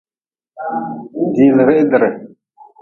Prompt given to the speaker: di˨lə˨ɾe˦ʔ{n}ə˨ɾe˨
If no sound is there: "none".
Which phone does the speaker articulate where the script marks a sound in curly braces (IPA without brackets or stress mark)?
d